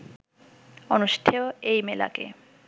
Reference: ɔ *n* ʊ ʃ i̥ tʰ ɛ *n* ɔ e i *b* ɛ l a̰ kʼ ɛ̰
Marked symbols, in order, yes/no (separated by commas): yes, no, no